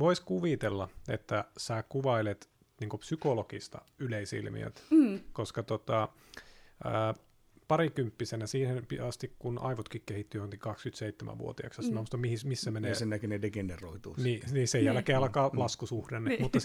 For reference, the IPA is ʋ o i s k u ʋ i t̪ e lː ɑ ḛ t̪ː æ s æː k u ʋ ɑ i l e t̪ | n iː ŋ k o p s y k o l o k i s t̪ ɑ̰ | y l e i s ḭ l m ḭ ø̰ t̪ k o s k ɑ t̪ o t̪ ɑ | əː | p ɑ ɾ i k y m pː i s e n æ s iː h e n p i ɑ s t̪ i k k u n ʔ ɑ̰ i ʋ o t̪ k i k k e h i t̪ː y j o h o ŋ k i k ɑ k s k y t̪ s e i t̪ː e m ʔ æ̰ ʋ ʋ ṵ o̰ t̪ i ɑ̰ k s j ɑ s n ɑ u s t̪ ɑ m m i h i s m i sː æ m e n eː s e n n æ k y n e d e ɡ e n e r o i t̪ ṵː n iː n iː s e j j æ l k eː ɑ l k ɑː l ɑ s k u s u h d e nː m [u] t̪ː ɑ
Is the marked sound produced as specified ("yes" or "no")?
yes